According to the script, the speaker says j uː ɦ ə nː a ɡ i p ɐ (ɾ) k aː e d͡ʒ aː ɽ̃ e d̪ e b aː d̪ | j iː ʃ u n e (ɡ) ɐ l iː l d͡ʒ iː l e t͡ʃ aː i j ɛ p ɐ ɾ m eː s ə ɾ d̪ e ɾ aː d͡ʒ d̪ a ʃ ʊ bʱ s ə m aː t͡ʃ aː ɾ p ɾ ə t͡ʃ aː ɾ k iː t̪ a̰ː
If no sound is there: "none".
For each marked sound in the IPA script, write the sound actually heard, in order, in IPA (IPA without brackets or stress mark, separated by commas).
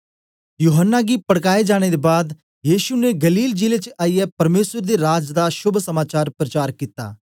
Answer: ɽ, ɡ